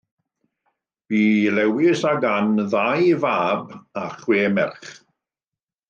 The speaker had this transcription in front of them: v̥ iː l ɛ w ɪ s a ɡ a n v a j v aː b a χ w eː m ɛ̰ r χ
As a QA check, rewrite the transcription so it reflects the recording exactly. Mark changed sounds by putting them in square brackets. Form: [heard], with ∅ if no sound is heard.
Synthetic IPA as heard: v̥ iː l ɛ w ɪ s a ɡ a n [ð] a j v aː b a χ w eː m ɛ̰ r χ